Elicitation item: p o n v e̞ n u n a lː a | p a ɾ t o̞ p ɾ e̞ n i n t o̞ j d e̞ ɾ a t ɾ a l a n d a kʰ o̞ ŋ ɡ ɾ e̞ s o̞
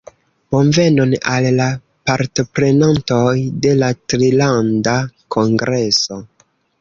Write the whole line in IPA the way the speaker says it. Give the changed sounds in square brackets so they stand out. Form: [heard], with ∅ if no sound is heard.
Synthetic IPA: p o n v e̞ n [o] n a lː a | p a ɾ t o̞ p ɾ e̞ n [a] n t o̞ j d e̞ [l] a t ɾ [i] l a n d a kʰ o̞ ŋ ɡ ɾ e̞ s o̞